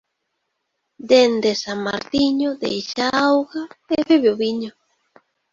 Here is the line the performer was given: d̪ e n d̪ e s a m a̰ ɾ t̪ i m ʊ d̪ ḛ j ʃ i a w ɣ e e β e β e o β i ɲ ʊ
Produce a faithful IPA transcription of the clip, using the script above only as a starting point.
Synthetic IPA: d̪ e n d̪ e s a m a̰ ɾ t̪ i ɲ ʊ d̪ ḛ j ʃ a a w ɣ a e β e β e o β i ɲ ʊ